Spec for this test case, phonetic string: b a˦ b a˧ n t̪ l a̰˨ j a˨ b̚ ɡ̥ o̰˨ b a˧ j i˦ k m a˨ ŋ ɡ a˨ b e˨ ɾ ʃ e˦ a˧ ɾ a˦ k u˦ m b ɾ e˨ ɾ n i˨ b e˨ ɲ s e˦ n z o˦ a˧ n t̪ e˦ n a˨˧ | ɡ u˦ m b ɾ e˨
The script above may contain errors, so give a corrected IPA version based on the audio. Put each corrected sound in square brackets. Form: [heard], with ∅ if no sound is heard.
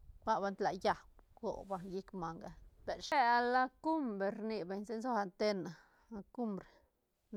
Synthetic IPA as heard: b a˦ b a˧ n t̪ l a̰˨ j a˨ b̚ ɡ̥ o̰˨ b a˧ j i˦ k m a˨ ŋ ɡ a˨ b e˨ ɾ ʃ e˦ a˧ [l] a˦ k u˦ m b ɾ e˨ ɾ n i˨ b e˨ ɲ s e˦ n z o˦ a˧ n t̪ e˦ n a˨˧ | [k] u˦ m b ɾ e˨